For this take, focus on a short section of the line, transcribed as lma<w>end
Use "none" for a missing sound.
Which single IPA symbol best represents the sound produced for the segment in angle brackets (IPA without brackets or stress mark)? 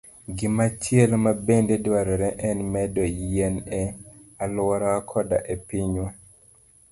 b